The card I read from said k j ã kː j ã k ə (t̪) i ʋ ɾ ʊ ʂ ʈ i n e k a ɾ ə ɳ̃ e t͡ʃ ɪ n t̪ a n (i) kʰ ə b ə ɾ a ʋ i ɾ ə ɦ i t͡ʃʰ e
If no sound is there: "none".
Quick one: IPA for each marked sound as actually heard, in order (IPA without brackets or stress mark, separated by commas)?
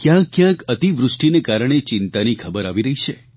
t̪, i